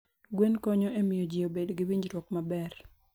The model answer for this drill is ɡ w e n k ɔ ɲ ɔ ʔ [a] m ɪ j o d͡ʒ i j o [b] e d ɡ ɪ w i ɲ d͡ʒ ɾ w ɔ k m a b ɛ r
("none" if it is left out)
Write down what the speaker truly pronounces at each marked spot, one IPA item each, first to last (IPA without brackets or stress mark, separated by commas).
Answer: e, b